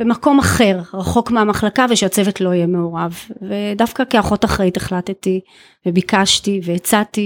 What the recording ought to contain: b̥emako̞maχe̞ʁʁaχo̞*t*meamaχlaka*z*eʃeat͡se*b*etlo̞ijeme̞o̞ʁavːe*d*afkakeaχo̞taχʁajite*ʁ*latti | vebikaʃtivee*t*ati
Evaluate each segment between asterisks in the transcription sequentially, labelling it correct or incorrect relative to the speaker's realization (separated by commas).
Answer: incorrect, incorrect, incorrect, correct, incorrect, incorrect